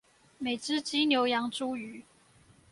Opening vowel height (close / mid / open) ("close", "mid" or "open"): mid